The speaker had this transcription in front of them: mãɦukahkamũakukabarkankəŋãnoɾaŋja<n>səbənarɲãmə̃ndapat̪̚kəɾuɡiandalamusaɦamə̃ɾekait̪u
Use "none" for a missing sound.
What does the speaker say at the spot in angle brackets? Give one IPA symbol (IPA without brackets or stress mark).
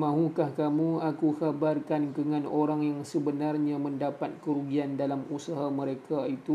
ŋ